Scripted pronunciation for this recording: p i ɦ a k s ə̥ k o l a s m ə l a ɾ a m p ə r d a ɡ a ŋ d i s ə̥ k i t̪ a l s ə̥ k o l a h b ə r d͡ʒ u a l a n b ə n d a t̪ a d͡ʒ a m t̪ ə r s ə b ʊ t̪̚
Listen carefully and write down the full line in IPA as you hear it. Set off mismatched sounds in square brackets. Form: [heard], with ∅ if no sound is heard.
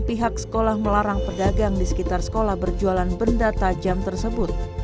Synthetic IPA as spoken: p i ɦ a k s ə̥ k o l a [h] m ə l a ɾ a [ŋ] p ə r d a ɡ a ŋ d i s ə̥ k i t̪ a [r] s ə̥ k o l a h b ə r d͡ʒ u a l a n b ə n d a t̪ a d͡ʒ a m t̪ ə r s ə b ʊ t̪̚